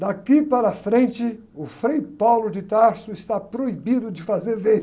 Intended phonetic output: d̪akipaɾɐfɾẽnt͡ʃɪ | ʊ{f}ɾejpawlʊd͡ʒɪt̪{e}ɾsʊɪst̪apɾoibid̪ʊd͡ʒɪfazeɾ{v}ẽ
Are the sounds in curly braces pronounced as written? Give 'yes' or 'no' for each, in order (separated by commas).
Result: yes, no, yes